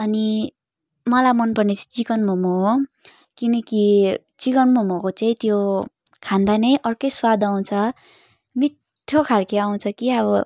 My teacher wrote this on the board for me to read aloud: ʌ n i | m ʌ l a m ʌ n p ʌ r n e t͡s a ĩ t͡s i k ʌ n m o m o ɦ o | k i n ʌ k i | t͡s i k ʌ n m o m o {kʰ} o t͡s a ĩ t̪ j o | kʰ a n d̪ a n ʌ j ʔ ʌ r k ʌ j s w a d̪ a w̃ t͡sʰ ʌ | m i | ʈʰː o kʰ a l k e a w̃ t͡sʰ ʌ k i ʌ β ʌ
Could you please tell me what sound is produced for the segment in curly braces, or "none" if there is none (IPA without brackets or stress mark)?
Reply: k